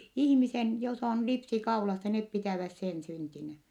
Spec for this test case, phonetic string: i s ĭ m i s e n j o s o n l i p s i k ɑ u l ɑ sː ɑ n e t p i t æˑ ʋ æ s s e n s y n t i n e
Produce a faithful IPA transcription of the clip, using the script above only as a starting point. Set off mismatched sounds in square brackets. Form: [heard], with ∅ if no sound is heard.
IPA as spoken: i [h] ĭ m i s e n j o s o n l i p s i k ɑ u l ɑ sː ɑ n e t p i t æˑ ʋ æ s s e n s y n t i n [æ]